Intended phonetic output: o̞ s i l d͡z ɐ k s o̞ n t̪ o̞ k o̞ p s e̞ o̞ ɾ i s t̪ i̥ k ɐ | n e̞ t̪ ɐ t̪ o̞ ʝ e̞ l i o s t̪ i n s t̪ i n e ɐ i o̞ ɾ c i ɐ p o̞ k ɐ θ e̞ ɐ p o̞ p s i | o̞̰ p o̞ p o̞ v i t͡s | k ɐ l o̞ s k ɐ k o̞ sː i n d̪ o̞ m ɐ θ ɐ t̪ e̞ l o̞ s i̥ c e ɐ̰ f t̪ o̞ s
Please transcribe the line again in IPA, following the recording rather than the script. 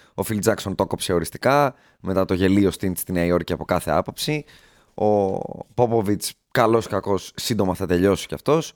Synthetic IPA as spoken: o̞ f i l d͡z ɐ k s o̞ n t̪ o̞ k o̞ p s e̞ o̞ ɾ i s t̪ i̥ k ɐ | m e̞ t̪ ɐ t̪ o̞ ʝ e̞ l i o s t̪ i n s t̪ i n e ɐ i o̞ ɾ c i ɐ p o̞ k ɐ θ e̞ ɐ p o̞ p s i | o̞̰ p o̞ p o̞ v i t͡s | k ɐ l o̞ s k ɐ k o̞ sː i n d̪ o̞ m ɐ θ ɐ t̪ e̞ ʎ o̞ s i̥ c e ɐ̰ f t̪ o̞ s